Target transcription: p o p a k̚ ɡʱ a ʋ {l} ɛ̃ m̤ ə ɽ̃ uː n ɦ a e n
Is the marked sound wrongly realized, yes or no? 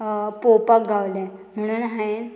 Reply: no